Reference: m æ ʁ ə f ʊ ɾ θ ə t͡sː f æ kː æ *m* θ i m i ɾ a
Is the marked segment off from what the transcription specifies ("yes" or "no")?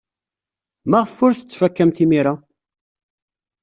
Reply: no